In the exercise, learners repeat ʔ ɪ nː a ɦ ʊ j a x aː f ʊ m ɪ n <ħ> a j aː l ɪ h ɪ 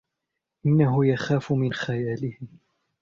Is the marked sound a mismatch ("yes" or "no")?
yes